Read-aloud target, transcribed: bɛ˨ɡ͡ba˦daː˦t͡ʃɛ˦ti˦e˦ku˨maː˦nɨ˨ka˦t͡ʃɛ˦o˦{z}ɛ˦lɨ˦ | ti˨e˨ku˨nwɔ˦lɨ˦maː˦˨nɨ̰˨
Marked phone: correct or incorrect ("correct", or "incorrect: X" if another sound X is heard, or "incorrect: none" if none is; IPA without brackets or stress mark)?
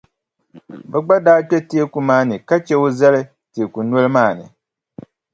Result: correct